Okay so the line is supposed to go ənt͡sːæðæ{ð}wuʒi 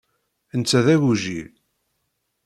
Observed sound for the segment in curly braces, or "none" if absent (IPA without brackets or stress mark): none